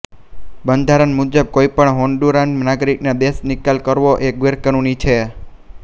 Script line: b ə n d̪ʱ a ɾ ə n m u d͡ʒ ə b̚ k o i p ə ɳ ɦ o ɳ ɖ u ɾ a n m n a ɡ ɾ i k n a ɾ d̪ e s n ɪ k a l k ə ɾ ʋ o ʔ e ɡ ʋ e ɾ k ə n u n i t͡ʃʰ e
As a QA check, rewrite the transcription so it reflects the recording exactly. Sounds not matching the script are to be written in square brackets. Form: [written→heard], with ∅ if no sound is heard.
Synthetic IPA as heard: b ə n d̪ʱ a ɾ ə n m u d͡ʒ ə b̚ k o i p ə ɳ ɦ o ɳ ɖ u ɾ a n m n a ɡ ɾ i k n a [ɾ→∅] d̪ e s n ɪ k a l k ə ɾ ʋ o ʔ e ɡ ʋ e ɾ k ə n u n i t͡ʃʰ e